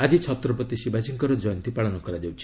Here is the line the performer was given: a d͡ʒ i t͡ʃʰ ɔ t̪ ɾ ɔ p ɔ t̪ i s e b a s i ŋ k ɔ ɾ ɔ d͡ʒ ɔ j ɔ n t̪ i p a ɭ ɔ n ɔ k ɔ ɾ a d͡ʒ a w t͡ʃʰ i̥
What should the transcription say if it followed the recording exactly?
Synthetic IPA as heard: a d͡ʒ i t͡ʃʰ ɔ t̪ ɾ ɔ p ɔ t̪ i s i b a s i ŋ k ɔ ɾ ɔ d͡ʒ ɔ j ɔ n t̪ i p a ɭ ɔ n ɔ k ɔ ɾ a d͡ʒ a w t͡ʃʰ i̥